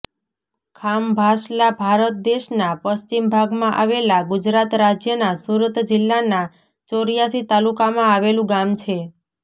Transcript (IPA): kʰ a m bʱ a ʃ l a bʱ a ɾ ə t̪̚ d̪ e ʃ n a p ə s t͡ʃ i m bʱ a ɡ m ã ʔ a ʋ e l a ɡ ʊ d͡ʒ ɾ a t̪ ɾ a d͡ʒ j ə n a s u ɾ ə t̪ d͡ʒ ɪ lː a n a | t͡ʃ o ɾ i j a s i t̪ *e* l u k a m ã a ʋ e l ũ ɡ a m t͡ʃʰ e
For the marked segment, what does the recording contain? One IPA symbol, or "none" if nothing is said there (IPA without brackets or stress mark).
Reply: a